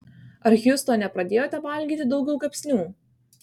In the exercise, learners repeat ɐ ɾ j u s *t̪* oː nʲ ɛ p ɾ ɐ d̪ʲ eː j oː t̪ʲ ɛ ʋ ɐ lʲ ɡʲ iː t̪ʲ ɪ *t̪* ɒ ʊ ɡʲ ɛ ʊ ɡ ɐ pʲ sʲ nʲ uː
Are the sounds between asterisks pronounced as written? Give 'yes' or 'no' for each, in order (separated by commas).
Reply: yes, no